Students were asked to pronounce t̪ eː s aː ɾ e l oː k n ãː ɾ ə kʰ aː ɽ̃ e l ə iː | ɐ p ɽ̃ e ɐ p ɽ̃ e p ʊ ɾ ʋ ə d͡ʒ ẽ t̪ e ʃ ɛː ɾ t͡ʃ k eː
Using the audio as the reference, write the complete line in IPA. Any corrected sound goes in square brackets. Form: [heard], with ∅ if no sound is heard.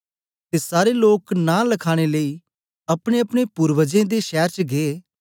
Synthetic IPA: t̪ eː s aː ɾ e l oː k n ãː [l] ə kʰ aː ɽ̃ e l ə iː | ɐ p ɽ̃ e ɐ p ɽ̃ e p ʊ ɾ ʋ ə d͡ʒ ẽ [d̪] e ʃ ɛː ɾ t͡ʃ [ɡ] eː

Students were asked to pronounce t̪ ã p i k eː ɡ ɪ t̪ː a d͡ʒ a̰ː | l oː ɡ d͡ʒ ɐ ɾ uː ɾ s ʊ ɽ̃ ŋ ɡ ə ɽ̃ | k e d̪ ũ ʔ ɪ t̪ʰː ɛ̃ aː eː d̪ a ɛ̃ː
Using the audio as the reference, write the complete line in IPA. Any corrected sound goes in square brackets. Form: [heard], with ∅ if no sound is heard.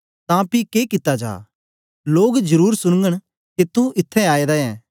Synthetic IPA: t̪ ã p i k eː [k] ɪ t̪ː a d͡ʒ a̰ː | l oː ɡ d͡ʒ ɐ ɾ uː ɾ s ʊ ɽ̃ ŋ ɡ ə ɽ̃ | k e [t̪] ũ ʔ ɪ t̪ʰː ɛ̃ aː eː d̪ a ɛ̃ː

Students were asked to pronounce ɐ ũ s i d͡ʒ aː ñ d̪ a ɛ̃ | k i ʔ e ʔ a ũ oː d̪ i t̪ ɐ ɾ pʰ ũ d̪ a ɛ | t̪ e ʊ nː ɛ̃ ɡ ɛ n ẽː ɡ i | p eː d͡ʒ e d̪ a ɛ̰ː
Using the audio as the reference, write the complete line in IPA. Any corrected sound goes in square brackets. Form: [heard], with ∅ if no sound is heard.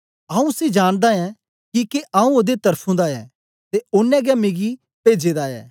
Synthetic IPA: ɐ ũ s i d͡ʒ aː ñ d̪ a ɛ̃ | k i [k] e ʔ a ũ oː d̪ [e] t̪ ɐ ɾ pʰ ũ d̪ a ɛ | t̪ e ʊ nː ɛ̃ ɡ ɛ [m] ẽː ɡ i | p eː d͡ʒ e d̪ a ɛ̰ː

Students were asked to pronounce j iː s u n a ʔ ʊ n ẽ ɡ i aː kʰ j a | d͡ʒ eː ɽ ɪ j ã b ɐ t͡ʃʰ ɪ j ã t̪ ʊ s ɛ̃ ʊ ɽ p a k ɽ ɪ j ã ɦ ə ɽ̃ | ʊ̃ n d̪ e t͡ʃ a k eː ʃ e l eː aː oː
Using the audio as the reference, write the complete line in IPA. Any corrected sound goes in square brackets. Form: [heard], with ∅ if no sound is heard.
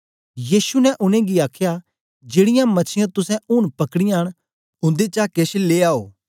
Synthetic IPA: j iː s u n [ɛ] ʔ ʊ n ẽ ɡ i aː kʰ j a | d͡ʒ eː ɽ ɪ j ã [m] ɐ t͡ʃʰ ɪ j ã t̪ ʊ s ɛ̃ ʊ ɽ p [ɐ] k ɽ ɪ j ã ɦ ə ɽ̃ | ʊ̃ n d̪ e t͡ʃ a k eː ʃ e l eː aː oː

